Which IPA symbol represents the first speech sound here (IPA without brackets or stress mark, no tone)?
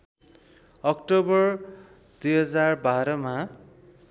ʌ